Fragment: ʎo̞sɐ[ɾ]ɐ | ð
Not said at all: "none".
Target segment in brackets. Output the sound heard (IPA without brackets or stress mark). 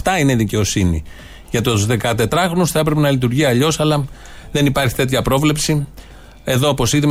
l